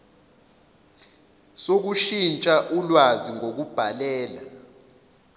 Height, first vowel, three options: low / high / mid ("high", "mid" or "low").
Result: mid